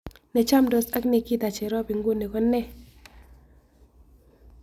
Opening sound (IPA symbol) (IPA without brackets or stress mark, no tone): n